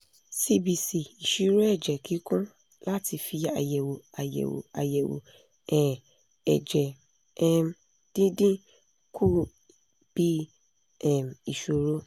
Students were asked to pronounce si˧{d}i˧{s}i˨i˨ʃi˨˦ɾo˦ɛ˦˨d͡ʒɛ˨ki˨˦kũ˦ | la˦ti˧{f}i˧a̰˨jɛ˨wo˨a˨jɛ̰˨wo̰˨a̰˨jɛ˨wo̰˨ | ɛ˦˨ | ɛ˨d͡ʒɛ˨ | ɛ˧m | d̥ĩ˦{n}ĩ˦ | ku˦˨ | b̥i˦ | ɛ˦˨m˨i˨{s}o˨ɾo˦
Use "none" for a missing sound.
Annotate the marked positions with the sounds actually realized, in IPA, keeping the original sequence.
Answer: b, s, f, d, ʃ

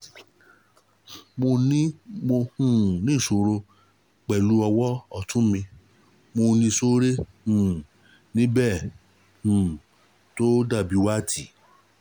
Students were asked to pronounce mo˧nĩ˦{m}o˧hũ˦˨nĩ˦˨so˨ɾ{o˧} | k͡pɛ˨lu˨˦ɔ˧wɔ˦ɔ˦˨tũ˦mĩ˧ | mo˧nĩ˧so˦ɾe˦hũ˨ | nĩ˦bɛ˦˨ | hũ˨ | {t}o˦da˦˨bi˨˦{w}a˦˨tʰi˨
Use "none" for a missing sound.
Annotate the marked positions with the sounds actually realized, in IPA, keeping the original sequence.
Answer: m, o˧, t, w

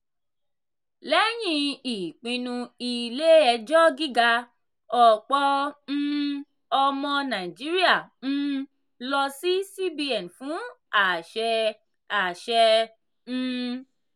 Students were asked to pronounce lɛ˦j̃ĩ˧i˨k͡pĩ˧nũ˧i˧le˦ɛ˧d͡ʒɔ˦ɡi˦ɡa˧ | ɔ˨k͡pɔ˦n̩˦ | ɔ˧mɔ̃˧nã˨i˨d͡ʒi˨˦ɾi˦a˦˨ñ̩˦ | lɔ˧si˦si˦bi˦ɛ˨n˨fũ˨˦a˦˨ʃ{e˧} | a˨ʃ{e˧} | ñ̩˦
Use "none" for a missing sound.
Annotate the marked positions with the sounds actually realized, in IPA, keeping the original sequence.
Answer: ɛ˧, ɛ˧

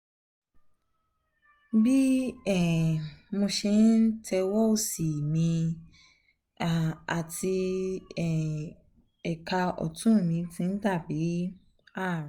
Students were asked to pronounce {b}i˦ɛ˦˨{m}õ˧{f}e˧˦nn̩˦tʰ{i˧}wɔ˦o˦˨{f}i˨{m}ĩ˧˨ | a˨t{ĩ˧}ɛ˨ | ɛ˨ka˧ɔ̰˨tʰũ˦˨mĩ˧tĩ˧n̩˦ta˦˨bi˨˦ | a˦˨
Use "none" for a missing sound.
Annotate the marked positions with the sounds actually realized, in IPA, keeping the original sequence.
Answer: b, m, ʃ, ɛ˧, s, m, i˧

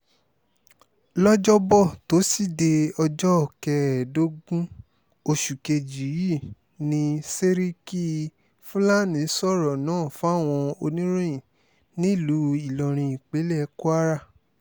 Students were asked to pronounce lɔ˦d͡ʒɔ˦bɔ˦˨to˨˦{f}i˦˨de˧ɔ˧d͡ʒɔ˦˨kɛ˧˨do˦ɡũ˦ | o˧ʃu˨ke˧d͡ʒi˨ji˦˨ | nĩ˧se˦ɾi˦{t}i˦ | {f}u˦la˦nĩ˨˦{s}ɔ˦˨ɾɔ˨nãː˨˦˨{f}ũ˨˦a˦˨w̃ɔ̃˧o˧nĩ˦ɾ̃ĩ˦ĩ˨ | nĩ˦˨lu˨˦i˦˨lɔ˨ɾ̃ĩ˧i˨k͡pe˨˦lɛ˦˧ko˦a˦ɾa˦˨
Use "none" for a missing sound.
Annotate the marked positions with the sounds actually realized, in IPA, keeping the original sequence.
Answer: s, k, f, s, f

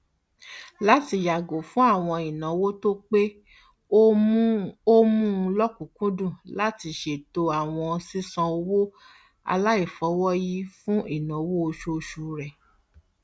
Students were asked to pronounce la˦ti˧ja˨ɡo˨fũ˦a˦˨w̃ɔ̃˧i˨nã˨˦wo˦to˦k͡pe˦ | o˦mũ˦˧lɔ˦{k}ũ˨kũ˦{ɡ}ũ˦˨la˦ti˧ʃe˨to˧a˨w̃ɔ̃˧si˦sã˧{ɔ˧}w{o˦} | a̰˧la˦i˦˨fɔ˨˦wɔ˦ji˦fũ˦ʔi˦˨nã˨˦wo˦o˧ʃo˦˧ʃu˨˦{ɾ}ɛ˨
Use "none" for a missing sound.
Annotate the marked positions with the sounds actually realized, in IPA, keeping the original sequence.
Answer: k, d, o˧, o˦, ɾ

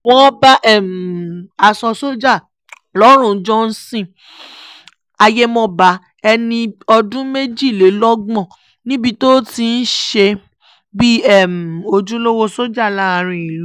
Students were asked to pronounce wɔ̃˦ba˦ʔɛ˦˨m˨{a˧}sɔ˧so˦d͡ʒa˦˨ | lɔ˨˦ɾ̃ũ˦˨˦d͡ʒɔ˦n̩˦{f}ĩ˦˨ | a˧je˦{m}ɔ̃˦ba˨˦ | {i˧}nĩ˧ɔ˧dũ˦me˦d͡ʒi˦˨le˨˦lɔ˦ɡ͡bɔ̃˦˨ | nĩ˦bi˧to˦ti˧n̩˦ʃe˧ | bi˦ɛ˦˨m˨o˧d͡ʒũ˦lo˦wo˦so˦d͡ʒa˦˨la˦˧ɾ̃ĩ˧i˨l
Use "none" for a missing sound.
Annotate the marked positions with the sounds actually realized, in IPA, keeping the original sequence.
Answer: a˧, s, m, ɛ˧

